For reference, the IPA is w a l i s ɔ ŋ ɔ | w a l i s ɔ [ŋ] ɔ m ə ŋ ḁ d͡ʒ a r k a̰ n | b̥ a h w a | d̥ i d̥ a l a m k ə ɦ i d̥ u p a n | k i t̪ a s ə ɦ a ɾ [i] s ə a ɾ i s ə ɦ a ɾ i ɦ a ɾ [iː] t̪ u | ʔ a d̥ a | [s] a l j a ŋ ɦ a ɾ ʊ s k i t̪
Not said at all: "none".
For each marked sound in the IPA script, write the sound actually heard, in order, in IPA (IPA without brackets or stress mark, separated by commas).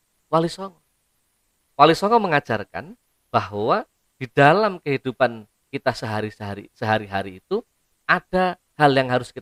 ŋ, i, iː, h